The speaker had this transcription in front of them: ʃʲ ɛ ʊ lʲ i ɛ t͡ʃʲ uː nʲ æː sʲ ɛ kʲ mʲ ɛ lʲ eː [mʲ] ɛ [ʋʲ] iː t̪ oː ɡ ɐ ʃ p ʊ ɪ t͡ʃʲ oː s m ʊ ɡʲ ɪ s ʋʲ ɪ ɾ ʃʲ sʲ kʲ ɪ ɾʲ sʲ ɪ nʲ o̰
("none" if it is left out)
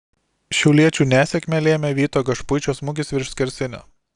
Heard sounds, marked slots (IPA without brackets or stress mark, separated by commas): mʲ, ʋʲ